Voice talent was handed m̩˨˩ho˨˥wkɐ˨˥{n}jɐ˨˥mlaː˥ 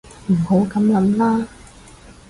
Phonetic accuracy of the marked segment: incorrect: m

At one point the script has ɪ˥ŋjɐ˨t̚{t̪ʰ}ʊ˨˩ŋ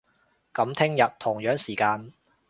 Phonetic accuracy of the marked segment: correct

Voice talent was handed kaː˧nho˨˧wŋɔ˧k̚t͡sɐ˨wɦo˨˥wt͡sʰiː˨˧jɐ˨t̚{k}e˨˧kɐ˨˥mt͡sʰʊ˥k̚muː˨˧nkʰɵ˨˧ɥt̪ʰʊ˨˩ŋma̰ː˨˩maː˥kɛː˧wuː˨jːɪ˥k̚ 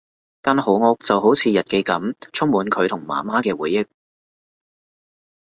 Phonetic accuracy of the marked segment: correct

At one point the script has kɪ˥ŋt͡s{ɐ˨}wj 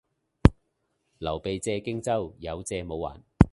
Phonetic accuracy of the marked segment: incorrect: ɐ˥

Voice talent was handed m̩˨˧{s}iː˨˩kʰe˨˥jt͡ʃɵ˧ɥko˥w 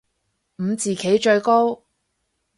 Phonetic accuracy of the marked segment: incorrect: t͡s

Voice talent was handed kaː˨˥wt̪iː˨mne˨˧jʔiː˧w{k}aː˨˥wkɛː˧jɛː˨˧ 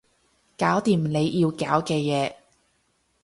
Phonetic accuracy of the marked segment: correct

